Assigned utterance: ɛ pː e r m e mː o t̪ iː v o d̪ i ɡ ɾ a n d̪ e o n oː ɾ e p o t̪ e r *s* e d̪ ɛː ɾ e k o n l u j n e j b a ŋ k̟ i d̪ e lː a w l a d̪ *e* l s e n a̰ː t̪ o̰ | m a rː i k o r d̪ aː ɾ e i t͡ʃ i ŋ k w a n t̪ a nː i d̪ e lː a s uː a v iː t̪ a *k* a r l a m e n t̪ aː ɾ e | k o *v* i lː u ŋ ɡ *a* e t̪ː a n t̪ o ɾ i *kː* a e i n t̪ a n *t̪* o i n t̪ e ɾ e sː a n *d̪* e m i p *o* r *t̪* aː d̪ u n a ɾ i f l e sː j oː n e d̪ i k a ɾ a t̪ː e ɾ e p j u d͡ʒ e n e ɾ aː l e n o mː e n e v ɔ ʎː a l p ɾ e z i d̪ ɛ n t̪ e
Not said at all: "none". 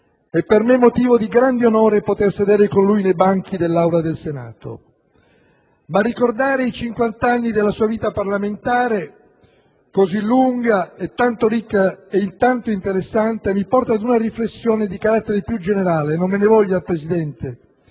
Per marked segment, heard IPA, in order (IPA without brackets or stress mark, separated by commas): s, e, p, z, a, kː, t̪, t̪, ɔ, t̪